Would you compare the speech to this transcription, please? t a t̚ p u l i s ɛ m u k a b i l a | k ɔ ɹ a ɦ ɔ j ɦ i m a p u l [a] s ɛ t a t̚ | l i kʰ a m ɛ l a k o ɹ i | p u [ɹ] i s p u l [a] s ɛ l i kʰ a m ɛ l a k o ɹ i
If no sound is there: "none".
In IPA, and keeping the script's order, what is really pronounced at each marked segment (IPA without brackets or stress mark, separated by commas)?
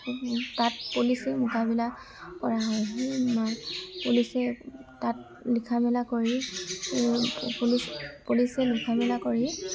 i, l, i